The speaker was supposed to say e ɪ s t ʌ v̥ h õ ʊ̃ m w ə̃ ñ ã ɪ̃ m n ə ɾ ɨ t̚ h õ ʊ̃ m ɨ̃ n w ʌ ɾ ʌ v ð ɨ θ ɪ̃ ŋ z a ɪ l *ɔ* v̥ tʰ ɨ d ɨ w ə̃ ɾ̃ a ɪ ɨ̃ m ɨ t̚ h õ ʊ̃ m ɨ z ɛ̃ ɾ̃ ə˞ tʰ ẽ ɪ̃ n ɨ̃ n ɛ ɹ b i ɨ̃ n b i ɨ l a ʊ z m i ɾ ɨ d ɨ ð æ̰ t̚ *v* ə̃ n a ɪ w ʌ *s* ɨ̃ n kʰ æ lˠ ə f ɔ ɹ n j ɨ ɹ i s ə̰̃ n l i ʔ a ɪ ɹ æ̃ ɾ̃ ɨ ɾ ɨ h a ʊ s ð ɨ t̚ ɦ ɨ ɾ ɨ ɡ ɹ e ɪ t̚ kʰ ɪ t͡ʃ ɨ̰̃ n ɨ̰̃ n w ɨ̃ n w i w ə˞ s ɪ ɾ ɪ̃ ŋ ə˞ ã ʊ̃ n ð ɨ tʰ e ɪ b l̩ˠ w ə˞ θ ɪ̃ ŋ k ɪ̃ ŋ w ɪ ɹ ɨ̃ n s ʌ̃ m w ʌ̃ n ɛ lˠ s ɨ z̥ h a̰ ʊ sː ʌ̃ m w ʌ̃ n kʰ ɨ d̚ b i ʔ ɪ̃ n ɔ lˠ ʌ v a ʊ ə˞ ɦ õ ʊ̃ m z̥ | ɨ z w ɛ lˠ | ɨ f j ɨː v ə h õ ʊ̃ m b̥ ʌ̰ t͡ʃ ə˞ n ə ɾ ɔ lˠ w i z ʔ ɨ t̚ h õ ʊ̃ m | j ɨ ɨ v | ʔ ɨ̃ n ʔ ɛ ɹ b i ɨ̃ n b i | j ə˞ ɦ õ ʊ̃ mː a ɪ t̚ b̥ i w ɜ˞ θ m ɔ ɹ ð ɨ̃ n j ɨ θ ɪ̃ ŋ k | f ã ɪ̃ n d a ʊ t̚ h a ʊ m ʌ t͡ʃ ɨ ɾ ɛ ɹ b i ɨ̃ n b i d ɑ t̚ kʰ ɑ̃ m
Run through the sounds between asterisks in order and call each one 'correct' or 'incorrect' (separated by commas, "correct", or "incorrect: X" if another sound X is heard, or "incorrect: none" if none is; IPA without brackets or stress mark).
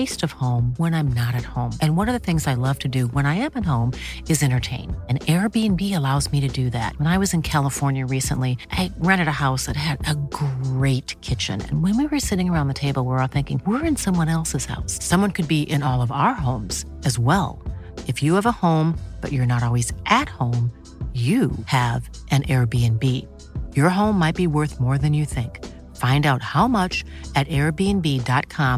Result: incorrect: ʌ, incorrect: w, incorrect: z